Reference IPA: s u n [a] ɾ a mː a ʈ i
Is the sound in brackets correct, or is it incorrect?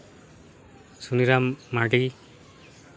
incorrect: i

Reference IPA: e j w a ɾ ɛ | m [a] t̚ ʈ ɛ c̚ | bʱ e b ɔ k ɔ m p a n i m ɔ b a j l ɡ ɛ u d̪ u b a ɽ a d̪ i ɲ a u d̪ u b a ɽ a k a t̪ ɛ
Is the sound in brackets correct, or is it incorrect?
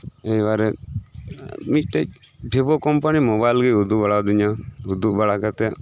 incorrect: i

